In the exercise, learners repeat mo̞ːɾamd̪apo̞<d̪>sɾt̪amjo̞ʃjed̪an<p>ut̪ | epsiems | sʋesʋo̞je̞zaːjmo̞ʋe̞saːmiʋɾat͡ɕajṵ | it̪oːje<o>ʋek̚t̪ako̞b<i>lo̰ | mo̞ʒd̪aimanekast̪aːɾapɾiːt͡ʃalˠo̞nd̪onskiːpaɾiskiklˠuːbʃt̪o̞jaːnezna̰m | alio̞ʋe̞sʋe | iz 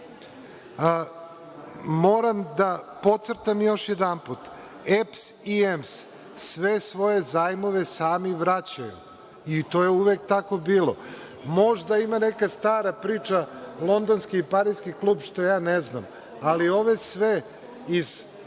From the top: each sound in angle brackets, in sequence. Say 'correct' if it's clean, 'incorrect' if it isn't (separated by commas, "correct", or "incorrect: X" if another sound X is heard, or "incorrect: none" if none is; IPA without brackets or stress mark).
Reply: incorrect: t̪, correct, incorrect: u, incorrect: iː